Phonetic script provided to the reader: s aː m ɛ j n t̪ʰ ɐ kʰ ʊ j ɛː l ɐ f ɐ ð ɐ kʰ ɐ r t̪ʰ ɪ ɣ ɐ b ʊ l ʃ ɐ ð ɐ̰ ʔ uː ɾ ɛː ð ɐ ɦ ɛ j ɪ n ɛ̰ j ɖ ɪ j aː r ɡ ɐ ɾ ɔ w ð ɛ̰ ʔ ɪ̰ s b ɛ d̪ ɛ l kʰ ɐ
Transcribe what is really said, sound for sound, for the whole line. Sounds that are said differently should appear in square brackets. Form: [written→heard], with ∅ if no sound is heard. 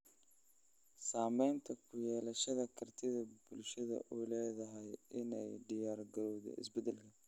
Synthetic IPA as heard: s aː m ɛ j n t̪ʰ ɐ kʰ ʊ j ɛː l ɐ [f→ʃ] ɐ ð ɐ kʰ ɐ r t̪ʰ ɪ [ɣ→ð] ɐ b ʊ l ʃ ɐ ð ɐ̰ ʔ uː [ɾ→l] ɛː ð ɐ ɦ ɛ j ɪ n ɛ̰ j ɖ ɪ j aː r ɡ ɐ ɾ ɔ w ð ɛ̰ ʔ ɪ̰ s b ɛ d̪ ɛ l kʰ ɐ